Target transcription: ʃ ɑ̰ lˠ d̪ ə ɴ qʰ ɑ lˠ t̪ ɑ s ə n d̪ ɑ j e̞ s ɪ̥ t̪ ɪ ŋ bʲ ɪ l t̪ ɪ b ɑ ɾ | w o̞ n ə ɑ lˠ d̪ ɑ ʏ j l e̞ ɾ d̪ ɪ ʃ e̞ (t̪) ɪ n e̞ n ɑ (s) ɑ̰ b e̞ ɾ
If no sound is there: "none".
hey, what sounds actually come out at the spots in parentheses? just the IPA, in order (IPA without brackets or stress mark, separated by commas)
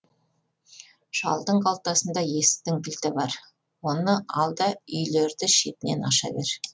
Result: t̪, ʃ